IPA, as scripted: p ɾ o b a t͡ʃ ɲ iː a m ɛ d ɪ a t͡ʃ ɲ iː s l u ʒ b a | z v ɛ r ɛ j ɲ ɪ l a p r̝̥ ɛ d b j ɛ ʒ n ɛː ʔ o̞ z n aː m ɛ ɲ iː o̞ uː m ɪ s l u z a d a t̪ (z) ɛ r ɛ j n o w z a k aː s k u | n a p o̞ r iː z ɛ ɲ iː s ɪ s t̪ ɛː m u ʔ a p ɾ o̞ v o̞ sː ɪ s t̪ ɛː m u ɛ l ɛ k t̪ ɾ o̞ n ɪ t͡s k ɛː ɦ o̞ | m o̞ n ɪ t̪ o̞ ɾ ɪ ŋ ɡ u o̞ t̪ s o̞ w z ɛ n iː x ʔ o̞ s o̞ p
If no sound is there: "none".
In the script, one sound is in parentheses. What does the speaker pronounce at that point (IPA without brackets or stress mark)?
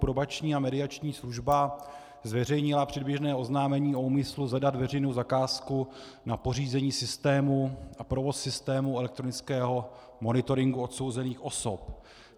v